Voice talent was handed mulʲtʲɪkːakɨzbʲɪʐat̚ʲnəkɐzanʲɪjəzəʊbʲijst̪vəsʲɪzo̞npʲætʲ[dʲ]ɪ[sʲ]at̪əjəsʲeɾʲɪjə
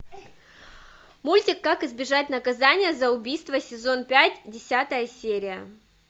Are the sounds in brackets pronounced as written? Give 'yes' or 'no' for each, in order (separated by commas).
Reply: yes, yes